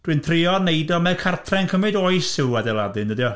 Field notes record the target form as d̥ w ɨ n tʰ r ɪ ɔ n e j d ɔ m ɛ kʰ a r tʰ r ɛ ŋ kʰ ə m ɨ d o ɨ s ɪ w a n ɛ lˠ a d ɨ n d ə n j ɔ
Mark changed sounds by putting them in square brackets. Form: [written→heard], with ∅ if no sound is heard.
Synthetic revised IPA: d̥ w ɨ n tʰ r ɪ ɔ n e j d ɔ m ɛ kʰ a r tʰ r ɛ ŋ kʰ ə m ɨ d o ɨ s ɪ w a [n→d] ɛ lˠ a d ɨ n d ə [n→d] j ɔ